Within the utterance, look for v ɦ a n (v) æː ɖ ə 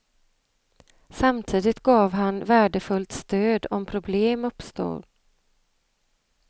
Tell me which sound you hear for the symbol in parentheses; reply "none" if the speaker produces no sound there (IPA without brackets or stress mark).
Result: v